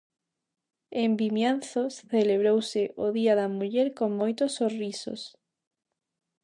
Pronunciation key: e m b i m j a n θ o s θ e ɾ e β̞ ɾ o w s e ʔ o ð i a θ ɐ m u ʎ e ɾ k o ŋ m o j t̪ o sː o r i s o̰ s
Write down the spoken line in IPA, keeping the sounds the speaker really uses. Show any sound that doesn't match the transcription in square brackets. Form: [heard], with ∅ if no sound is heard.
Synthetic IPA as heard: e m b i m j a n θ o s θ e [l] e β̞ ɾ o w s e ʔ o ð i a [ð] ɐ m u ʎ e ɾ k o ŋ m o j t̪ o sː o r i s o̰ s